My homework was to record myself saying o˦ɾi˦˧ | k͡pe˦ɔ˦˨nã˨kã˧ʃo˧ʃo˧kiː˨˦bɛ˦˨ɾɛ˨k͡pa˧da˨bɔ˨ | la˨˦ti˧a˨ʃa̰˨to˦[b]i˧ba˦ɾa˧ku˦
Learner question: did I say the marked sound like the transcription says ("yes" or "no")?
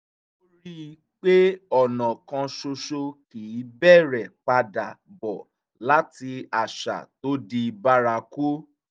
no